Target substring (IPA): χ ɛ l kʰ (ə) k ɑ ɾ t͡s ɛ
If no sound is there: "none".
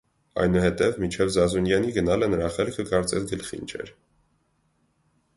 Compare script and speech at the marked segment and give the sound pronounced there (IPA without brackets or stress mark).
ə